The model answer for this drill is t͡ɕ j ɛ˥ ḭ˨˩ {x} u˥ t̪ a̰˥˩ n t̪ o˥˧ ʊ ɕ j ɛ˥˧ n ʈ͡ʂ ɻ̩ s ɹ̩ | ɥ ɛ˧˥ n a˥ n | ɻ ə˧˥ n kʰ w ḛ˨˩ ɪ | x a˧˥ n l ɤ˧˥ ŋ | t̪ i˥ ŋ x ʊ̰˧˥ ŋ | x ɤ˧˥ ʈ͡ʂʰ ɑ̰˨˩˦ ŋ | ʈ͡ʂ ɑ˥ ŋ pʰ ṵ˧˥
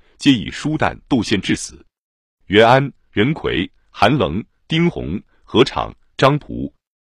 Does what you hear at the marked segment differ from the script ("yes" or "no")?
yes